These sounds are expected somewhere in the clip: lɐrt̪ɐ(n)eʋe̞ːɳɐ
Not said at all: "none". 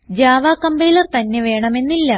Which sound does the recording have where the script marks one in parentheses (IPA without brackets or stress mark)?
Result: nː